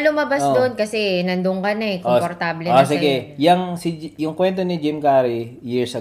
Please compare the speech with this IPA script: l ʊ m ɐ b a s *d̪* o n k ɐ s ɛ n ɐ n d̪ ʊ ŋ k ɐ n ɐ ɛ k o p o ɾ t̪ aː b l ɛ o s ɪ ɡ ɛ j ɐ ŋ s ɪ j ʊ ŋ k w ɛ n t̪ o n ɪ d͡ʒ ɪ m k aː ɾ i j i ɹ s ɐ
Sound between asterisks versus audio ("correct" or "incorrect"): correct